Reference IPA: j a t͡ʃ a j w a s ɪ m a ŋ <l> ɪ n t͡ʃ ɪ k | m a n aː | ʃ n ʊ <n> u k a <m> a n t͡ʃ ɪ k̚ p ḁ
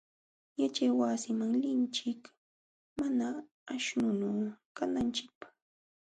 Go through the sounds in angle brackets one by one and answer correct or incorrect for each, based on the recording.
correct, correct, incorrect: n

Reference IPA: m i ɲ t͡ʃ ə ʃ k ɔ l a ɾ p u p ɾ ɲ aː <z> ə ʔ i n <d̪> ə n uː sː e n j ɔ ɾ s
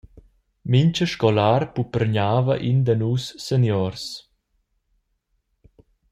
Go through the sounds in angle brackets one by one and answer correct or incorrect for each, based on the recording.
incorrect: v, correct

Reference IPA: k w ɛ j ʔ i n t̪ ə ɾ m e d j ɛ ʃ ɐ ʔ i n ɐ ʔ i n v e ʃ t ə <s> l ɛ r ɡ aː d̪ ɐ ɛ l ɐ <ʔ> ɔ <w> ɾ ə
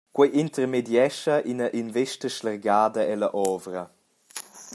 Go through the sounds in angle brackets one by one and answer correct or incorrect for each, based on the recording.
incorrect: ʃ, correct, incorrect: v

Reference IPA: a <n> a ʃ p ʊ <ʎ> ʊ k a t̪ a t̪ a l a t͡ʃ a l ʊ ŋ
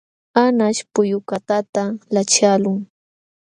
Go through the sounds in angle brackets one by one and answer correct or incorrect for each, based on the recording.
correct, incorrect: j

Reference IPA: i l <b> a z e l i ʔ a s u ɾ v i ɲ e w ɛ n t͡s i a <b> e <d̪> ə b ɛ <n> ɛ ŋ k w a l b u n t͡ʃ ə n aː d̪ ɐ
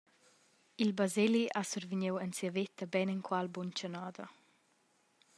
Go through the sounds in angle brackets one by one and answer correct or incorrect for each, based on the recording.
correct, incorrect: v, incorrect: t̪, correct

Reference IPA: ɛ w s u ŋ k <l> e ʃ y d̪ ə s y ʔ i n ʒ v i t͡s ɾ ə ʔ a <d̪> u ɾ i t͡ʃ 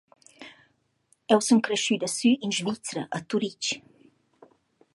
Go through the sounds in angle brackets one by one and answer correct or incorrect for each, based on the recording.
incorrect: ɾ, incorrect: t̪

